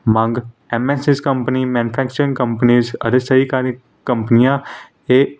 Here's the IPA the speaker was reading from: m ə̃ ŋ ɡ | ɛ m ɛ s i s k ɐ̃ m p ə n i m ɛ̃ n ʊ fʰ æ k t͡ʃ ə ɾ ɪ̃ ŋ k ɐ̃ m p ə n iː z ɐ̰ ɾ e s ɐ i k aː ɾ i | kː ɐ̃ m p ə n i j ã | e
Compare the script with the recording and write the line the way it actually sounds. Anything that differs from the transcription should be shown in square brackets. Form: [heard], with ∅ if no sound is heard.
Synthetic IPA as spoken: m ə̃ ŋ ɡ | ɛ m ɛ s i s k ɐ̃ m p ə n i m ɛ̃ n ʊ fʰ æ k t͡ʃ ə ɾ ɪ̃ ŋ k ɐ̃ m p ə n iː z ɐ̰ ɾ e s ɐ i k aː ɾ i | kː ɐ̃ m p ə n i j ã | e

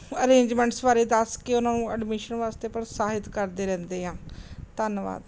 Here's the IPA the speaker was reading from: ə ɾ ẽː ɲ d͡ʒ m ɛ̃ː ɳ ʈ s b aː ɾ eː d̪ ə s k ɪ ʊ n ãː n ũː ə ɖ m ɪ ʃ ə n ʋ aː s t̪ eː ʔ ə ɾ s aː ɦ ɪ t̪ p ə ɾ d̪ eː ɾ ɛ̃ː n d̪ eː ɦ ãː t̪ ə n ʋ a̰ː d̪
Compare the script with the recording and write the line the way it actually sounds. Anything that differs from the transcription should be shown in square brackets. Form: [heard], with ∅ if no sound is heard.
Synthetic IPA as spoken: ə ɾ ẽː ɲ d͡ʒ m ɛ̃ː ɳ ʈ s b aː ɾ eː d̪ ə s k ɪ ʊ n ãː n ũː ə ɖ m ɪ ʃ ə n ʋ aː s t̪ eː [p] ə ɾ s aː ɦ ɪ t̪ [k] ə ɾ d̪ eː ɾ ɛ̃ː n d̪ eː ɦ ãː t̪ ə n ʋ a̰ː d̪

